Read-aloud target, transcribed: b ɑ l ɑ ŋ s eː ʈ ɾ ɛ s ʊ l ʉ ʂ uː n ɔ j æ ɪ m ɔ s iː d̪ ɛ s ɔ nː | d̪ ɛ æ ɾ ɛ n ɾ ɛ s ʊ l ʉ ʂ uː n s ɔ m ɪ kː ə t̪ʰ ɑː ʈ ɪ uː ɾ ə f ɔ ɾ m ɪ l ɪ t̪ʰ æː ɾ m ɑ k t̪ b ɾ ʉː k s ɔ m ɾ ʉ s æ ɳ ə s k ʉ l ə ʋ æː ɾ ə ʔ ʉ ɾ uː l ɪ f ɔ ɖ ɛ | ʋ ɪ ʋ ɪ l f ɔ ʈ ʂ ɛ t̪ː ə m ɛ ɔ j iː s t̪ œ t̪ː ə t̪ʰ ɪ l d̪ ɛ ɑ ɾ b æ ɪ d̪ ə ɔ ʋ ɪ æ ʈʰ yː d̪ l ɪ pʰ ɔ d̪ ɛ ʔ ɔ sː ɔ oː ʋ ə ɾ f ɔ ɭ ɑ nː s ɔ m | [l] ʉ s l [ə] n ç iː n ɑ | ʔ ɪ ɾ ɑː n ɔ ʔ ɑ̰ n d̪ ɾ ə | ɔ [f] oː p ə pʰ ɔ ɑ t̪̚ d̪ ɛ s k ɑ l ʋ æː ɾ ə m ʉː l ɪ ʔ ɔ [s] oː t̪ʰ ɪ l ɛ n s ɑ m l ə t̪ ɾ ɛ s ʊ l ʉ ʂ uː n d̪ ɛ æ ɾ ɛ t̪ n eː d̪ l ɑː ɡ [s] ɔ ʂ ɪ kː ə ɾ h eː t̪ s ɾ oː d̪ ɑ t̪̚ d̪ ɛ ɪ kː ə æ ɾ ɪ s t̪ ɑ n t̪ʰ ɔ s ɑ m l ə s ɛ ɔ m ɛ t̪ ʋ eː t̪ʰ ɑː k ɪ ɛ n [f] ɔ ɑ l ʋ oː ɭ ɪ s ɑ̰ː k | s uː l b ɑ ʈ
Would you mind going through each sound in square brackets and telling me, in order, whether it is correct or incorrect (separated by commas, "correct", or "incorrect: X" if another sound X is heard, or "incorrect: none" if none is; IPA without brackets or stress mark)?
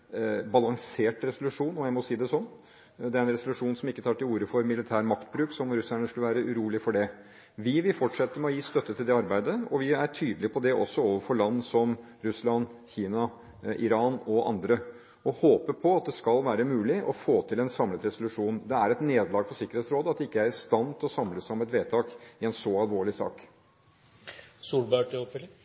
incorrect: ɾ, incorrect: ɑ, incorrect: h, incorrect: f, incorrect: f, incorrect: s